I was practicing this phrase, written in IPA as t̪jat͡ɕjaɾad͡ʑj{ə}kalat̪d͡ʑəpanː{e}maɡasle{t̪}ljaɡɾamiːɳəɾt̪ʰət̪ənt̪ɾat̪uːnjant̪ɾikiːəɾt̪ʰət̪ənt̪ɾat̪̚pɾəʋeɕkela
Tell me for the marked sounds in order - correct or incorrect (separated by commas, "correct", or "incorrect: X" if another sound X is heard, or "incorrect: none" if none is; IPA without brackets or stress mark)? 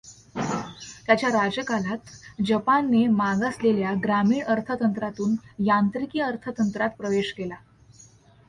correct, correct, incorrect: none